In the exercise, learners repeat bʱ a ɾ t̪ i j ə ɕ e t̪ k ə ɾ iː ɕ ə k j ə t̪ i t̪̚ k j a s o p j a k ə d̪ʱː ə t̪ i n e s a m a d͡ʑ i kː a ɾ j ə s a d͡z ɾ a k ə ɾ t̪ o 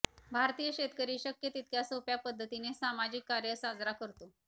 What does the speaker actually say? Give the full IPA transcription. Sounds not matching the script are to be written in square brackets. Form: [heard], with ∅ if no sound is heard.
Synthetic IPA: bʱ a ɾ t̪ i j ə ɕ e t̪ k ə ɾ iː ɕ ə k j ə t̪ i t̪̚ k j a s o p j a [p] ə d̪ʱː ə t̪ i n e s a m a d͡ʑ i kː a ɾ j ə s a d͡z ɾ a k ə ɾ t̪ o